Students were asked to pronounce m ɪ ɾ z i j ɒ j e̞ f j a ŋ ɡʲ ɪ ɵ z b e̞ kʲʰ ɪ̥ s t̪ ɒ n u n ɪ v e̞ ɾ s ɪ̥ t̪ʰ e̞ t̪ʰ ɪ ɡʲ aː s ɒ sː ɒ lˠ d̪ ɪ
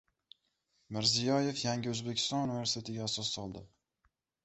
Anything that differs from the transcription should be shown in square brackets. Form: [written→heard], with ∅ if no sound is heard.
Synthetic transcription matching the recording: m ɪ ɾ z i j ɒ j e̞ f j a ŋ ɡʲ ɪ ɵ z b e̞ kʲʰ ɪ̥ s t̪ ɒ n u n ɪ v e̞ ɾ s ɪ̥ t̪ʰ e̞ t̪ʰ ɪ ɡʲ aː s ɒ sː ɒ lˠ d̪ ɪ